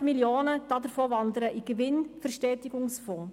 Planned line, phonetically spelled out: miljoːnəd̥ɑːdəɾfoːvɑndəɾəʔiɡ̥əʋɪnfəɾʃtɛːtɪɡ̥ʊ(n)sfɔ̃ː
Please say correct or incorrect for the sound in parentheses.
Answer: incorrect